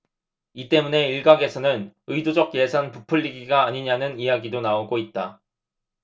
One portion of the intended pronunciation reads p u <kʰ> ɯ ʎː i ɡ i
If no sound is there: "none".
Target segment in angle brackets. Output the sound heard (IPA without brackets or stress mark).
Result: pʰ